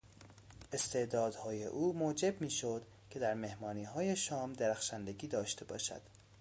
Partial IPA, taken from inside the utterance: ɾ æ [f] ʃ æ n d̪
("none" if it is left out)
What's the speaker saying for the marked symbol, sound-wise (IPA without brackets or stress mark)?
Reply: x